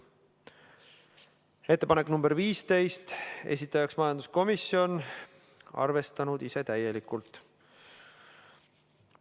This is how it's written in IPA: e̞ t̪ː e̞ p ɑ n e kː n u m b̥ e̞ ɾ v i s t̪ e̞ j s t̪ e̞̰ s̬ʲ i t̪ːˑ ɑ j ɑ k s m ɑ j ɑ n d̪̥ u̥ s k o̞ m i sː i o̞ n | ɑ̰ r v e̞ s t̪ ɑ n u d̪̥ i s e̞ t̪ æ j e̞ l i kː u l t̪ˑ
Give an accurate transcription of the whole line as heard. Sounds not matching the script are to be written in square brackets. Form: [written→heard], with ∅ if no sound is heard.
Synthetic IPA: e̞ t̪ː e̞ p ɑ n e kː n u m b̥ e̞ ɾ v [i→iː] s t̪ e̞ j s t̪ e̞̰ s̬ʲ i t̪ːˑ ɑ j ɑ k s m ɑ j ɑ n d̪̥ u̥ s k o̞ m i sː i o̞ n | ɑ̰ r v e̞ s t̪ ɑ n u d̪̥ i s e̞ t̪ æ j e̞ l i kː u l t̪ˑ